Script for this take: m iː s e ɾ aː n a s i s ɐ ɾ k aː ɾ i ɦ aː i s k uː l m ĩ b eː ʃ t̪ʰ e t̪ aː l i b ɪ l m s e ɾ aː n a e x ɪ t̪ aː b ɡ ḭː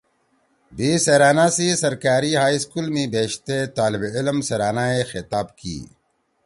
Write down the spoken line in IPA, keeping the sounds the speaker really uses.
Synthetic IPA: b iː s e ɾ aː n a s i s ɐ ɾ k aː ɾ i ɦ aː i s k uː l m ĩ b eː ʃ t̪ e t̪ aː l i b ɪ l m s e ɾ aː n a e x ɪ t̪ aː b k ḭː